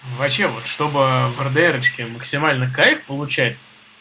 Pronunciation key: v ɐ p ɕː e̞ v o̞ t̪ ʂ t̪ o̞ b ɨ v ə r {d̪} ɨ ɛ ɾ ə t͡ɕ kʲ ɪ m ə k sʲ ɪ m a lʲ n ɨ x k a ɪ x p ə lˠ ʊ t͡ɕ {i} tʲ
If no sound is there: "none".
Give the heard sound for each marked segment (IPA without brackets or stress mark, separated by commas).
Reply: d̪, æ